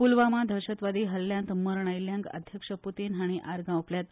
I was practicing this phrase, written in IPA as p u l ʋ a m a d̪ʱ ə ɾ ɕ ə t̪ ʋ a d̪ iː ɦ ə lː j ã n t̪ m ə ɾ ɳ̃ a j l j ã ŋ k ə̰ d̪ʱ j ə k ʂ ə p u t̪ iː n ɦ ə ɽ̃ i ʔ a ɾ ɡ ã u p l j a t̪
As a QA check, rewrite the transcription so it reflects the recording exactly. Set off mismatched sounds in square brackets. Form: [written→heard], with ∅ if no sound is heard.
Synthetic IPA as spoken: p u l ʋ a m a d̪ʱ ə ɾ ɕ ə t̪ ʋ a d̪ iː ɦ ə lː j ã n t̪ m ə ɾ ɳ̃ a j l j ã ŋ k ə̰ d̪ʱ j ə k ʂ ə p u t̪ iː n ɦ [ə→a] ɽ̃ i ʔ a ɾ ɡ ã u p l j a t̪